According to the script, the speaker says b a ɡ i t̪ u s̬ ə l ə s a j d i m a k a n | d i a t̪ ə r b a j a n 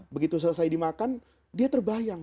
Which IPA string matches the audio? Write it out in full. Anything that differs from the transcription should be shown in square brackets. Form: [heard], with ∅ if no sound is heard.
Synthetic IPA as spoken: b [ə] ɡ i t̪ u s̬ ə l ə s a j d i m a k a n | d i a t̪ ə r b a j a [ŋ]